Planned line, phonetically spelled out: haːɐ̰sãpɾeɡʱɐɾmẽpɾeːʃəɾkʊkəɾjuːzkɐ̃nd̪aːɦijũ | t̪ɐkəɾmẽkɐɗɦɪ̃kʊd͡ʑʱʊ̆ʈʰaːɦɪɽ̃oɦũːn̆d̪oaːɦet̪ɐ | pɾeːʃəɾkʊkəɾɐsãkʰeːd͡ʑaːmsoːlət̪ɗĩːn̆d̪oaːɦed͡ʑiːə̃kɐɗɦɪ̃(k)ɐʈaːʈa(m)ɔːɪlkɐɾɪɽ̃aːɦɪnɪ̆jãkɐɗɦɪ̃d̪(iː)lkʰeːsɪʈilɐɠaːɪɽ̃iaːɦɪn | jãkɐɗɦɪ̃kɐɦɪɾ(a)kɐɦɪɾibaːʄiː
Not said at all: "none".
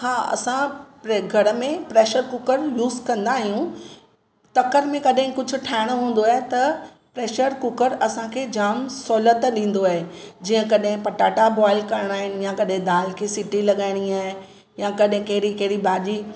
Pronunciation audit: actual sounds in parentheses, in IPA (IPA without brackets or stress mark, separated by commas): p, b, aː, i